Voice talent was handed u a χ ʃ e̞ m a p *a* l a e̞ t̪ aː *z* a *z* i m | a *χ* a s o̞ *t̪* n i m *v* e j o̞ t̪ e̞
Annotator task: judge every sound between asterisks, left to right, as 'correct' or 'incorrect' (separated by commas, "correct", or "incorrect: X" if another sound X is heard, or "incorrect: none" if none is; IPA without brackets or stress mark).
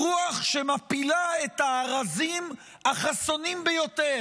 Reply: incorrect: i, incorrect: ʁ, correct, correct, incorrect: none, incorrect: b